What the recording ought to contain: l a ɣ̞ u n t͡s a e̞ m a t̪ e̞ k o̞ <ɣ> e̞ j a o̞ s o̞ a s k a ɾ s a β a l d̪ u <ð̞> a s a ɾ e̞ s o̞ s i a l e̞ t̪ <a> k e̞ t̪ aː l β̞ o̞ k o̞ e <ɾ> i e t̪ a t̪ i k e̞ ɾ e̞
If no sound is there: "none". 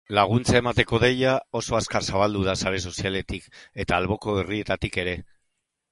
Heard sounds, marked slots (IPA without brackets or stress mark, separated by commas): ð, ð̞, i, r